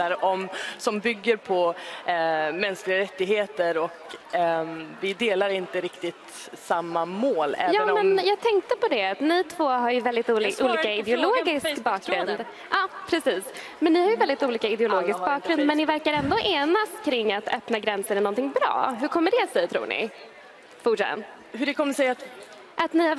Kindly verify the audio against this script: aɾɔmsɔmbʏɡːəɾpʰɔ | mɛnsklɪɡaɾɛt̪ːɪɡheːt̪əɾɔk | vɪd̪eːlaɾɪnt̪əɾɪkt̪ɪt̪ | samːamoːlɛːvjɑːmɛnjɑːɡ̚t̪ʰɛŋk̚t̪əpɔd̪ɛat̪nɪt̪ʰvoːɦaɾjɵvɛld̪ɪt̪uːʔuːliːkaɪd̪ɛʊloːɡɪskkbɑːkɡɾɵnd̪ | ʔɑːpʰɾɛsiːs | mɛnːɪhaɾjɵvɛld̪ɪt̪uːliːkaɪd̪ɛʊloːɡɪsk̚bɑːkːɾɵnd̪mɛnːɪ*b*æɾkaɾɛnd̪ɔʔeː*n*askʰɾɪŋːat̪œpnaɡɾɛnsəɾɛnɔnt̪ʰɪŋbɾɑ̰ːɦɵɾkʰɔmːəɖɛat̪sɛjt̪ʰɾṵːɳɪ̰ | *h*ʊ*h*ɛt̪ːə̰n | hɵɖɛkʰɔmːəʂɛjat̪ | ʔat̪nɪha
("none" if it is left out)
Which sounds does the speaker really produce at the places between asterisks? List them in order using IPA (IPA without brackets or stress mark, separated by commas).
v, n, f, ʂ